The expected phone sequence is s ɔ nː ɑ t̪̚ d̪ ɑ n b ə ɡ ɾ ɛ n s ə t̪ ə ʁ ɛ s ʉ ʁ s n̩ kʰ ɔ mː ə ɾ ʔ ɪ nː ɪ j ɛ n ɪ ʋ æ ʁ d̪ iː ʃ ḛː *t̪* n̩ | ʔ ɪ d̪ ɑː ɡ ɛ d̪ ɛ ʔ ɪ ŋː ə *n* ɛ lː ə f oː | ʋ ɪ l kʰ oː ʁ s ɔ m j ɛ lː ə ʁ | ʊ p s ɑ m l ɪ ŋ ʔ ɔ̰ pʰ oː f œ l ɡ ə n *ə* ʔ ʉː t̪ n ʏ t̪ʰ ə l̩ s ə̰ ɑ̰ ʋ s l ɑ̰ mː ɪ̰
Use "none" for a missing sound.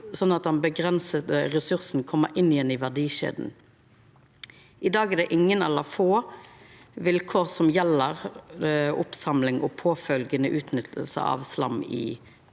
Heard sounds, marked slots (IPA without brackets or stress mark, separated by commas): d̪, n, ə